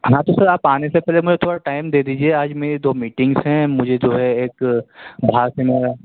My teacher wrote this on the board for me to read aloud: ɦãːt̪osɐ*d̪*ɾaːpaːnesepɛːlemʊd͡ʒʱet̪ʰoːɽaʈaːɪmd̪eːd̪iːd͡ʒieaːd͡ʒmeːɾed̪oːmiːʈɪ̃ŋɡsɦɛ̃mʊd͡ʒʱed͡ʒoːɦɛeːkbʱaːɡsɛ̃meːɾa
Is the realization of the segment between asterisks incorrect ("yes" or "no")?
yes